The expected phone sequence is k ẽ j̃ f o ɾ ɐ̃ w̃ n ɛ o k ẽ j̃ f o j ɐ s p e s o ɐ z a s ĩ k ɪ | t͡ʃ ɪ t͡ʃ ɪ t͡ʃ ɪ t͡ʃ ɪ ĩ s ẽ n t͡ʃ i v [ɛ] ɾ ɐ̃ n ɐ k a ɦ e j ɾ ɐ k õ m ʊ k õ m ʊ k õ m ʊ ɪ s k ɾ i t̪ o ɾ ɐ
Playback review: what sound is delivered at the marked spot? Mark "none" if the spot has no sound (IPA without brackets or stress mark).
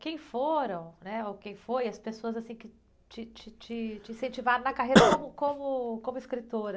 a